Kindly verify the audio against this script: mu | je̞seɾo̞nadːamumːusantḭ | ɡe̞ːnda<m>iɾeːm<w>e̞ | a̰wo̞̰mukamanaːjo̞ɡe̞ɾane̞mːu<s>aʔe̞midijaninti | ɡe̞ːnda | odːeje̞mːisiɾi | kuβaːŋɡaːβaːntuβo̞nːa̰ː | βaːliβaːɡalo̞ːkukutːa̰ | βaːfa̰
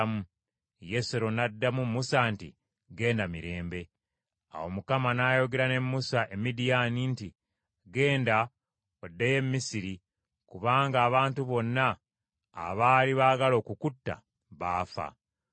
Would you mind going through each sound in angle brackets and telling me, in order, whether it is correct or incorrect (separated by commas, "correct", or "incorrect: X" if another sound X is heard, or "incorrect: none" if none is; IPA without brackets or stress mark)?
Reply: correct, incorrect: b, correct